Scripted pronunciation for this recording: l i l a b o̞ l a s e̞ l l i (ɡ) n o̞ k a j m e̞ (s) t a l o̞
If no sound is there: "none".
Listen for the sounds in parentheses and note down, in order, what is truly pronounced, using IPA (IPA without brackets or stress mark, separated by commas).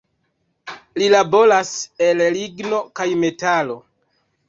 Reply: ɡ, none